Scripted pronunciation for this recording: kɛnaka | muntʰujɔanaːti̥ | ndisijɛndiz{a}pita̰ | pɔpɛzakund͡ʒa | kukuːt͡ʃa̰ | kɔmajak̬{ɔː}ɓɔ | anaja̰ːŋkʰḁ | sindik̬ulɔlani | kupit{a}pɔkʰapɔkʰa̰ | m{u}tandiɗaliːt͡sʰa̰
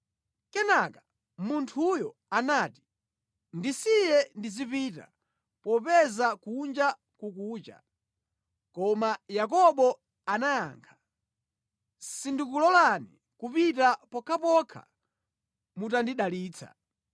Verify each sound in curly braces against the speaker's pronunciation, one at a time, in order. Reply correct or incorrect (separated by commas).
incorrect, incorrect, correct, correct